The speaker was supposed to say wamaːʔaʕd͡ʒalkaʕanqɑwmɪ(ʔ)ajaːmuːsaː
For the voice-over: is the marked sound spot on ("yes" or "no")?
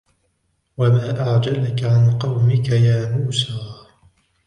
no